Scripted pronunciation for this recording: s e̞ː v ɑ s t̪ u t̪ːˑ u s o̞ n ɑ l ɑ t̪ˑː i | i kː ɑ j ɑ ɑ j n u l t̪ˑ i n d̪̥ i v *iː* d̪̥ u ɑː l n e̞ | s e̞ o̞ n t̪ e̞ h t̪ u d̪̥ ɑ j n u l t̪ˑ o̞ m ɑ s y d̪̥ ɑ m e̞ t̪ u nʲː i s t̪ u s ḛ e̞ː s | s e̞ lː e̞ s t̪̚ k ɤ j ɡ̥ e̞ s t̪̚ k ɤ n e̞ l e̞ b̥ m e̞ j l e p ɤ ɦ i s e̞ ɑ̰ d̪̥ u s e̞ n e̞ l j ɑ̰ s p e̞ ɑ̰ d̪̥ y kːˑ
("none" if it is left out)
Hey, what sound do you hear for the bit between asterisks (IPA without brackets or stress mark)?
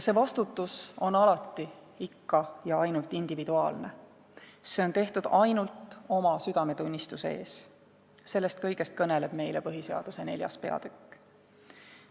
i